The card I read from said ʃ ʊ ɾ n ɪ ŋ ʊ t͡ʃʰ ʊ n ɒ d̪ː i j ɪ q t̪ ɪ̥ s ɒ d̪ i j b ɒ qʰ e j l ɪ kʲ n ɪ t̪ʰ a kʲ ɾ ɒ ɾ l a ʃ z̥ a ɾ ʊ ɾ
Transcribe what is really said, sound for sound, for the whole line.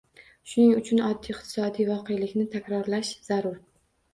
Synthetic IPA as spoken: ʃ ʊ n ɪ ŋ ʊ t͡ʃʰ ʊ n ɒ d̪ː i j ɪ q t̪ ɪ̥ s ɒ d̪ i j v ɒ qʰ e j l ɪ kʲ n ɪ t̪ʰ a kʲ ɾ ɒ ɾ l a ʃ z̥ a ɾ ʊ ɾ

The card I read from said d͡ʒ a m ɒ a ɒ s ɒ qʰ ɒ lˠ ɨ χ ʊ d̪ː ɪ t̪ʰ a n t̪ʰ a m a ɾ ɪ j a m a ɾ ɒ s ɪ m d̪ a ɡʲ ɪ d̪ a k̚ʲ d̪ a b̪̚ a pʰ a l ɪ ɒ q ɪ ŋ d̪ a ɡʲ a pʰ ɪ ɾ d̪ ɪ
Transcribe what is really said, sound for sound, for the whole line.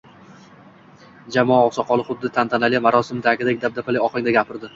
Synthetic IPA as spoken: d͡ʒ a m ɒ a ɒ s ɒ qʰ ɒ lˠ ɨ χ ʊ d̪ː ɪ t̪ʰ a n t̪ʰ a n a l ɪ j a m a ɾ ɒ s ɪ m d̪ a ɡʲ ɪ d̪ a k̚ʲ d̪ a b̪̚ a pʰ a l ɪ ɒ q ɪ ŋ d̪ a ɡʲ a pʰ ɪ ɾ d̪ ɪ

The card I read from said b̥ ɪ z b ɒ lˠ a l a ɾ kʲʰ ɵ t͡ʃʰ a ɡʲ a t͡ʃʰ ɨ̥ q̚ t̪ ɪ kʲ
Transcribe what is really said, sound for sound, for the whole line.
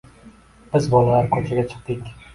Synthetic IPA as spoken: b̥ ɪ z b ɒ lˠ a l a ɾ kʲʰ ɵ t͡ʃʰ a ɡʲ a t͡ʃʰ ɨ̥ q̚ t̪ ɪ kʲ

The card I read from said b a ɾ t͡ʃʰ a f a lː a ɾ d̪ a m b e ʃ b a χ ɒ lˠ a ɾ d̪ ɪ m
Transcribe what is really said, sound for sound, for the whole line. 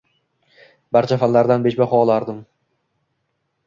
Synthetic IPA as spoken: b a ɾ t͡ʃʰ a f a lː a ɾ d̪ a n b e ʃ b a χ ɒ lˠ a ɾ d̪ ɪ m

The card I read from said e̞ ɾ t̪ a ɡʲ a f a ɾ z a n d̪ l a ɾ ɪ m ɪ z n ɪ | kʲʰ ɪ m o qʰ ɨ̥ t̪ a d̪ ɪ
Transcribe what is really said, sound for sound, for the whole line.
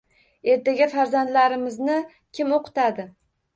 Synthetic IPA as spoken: e̞ ɾ t̪ a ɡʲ a f a ɾ z a n d̪ l a ɾ ɪ m ɪ z n ɪ | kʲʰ ɪ m o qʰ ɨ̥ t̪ a d̪ ɪ

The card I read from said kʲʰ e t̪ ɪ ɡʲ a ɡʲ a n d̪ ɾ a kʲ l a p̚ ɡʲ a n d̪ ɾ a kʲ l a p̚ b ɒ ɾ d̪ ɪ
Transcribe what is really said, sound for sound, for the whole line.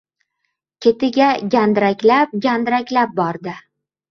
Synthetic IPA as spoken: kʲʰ e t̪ ɪ ɡʲ a ɡʲ a n d̪ ɾ a kʲ l a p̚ ɡʲ a n d̪ ɾ a kʲ l a p̚ b ɒ ɾ d̪ ɪ

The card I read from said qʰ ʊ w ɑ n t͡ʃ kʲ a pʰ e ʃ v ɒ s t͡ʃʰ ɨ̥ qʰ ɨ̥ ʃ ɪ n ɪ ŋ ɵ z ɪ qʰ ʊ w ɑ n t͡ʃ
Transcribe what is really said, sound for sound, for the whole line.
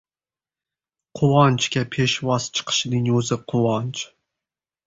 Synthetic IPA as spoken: qʰ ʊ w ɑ n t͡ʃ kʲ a pʰ e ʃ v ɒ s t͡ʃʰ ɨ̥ qʰ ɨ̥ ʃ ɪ n ɪ ŋ ɵ z ɪ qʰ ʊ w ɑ n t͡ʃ

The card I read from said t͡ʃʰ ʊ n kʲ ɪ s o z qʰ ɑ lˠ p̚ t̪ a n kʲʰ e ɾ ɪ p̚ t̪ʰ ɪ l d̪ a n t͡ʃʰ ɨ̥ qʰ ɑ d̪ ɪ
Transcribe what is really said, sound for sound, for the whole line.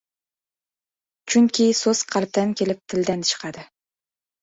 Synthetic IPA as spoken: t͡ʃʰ ʊ ŋ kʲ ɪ s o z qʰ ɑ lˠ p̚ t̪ a n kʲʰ e l ɪ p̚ t̪ʰ ɪ l d̪ a n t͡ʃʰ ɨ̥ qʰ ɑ d̪ ɪ

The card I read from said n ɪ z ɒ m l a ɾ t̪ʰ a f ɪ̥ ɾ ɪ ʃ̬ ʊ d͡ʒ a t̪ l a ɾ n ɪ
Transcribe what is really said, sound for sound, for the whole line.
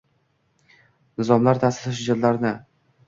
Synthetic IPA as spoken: n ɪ z ɒ m l a ɾ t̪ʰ a s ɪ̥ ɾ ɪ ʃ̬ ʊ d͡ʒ a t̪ l a ɾ n ɪ

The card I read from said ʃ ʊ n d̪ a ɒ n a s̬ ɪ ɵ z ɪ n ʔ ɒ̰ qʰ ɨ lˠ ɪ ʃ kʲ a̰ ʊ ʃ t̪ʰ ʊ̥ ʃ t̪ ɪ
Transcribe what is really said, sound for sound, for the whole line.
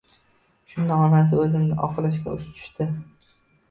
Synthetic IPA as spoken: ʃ ʊ n d̪ a ɒ n a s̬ ɪ ɵ z ɪ n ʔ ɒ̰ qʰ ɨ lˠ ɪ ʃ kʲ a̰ ʊ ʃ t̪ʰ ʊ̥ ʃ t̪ ɪ

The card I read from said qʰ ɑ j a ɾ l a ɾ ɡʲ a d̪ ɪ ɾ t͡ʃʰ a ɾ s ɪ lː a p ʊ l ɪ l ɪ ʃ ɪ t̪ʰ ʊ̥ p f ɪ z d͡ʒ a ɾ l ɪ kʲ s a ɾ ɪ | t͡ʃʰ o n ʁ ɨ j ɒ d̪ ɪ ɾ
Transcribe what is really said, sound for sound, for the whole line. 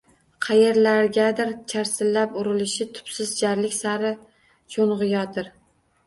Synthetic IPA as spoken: qʰ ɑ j e ɾ l a ɾ ɡʲ a d̪ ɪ ɾ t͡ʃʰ a ɾ s ɪ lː a p ʊ ɾ ɪ l ɪ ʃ ɪ t̪ʰ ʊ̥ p s ɪ z d͡ʒ a ɾ l ɪ kʲ s a ɾ ɪ | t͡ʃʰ o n ʁ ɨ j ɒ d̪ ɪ ɾ

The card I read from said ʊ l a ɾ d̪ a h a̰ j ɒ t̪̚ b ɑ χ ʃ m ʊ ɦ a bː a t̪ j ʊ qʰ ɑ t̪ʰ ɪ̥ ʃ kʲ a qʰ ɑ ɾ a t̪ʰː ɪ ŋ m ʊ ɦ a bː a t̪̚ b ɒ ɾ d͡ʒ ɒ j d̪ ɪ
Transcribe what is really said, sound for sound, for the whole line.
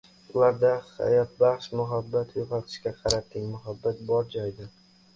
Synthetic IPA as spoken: ʊ l a ɾ d̪ a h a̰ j ɒ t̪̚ b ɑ χ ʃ m ʊ ɦ a bː a t̪ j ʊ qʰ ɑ t̪ʰ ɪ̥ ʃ kʲ a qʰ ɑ ɾ a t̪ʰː ɪ ŋ m ʊ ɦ a bː a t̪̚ b ɒ ɾ d͡ʒ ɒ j d̪ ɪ

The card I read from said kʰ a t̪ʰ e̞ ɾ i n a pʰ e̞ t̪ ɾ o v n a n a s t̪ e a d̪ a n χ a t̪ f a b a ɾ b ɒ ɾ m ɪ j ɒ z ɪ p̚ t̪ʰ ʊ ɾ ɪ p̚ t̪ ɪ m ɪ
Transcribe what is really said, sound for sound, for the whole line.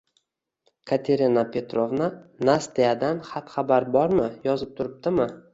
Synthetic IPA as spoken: kʰ a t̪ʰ e̞ ɾ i n a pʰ e̞ t̪ ɾ o v n a n a s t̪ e a d̪ a n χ a t̪ χ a b a ɾ b ɒ ɾ m ɪ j ɒ z ɪ p̚ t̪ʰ ʊ ɾ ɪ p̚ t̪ ɪ m ɪ

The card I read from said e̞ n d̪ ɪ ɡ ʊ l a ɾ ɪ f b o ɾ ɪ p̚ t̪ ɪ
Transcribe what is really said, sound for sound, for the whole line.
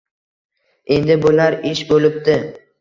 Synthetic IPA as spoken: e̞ n d̪ ɪ b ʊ l a ɾ ɪ ʃ b o l ɪ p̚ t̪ ɪ

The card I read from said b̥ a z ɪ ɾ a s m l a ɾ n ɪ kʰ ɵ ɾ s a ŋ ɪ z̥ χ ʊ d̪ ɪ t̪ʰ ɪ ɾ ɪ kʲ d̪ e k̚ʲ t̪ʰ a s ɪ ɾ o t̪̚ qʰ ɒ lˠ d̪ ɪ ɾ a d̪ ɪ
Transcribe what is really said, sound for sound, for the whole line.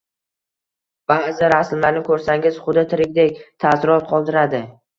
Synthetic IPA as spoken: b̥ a z ɪ ɾ a s m l a ɾ n ɪ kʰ ɵ ɾ s a ŋ ɪ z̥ χ ʊ d̪ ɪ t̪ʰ ɪ ɾ ɪ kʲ d̪ e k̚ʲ t̪ʰ a s ɪ ɾ ɒ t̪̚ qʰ ɒ lˠ d̪ ɪ ɾ a d̪ ɪ

